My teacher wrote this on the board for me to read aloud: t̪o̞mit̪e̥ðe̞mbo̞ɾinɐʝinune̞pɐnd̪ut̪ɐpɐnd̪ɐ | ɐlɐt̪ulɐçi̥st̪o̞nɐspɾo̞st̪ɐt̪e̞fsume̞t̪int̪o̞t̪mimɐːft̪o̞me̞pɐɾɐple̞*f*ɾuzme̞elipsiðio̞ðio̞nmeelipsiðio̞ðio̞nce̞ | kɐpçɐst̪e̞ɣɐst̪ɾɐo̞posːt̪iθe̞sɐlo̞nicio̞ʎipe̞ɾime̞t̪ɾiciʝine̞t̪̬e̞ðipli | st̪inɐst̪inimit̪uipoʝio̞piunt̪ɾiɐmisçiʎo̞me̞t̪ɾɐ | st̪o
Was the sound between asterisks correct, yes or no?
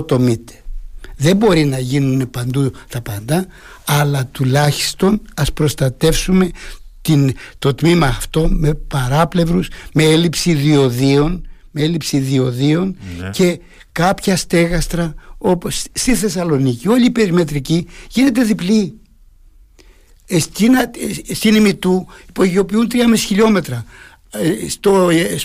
no